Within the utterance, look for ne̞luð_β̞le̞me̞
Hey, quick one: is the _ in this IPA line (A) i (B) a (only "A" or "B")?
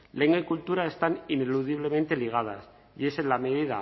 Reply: A